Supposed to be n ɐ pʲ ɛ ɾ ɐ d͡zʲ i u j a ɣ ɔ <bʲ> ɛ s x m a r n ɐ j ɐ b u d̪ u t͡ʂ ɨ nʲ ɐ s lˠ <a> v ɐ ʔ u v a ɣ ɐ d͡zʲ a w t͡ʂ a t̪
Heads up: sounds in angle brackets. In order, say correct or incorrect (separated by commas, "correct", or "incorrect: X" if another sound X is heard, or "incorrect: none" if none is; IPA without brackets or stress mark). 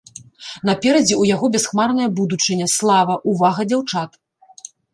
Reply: correct, correct